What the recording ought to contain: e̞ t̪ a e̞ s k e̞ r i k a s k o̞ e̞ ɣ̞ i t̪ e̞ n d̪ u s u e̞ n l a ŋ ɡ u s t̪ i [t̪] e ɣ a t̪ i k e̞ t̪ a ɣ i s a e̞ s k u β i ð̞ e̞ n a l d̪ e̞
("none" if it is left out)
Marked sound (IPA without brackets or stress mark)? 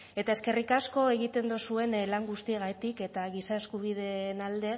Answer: none